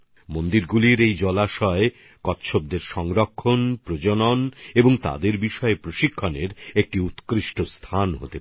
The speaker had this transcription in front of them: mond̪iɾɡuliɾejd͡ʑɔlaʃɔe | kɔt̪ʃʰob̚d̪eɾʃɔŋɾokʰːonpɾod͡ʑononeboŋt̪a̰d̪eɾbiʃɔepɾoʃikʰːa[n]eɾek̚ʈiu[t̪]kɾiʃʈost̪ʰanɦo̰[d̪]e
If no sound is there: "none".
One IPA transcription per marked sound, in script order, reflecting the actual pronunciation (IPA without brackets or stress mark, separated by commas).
n, t̪, t̪